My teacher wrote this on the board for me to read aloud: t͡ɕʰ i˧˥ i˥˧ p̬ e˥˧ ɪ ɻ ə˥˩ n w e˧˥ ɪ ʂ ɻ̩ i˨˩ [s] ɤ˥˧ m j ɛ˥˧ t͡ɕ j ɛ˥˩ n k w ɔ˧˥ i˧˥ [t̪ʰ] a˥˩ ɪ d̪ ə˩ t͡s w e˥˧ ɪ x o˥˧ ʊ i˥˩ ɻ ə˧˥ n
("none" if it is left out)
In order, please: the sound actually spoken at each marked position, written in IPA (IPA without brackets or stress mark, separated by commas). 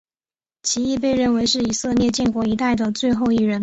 s, t̪